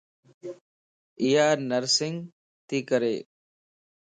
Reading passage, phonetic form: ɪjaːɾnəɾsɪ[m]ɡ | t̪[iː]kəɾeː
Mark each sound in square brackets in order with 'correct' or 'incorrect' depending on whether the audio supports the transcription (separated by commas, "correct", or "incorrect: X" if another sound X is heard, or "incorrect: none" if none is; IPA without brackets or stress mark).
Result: incorrect: ŋ, correct